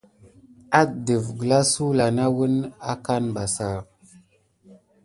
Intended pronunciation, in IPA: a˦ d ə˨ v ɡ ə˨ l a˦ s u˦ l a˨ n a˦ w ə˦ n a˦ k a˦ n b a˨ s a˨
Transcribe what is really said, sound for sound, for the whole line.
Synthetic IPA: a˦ d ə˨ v ɡ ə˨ l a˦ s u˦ l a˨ n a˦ w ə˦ n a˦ k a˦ n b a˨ s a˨